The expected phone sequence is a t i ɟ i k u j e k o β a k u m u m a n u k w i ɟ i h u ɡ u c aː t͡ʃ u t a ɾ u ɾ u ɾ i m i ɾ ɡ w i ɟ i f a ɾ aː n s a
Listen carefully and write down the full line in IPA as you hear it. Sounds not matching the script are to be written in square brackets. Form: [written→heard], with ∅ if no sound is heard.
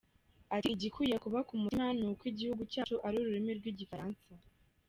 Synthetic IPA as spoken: a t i ɟ i k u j e k [o→u] β a k u m u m a n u k w i ɟ i h u ɡ u c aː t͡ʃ u [t→ʔ] a ɾ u ɾ u ɾ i m i ɾ ɡ w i ɟ i f a ɾ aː n s a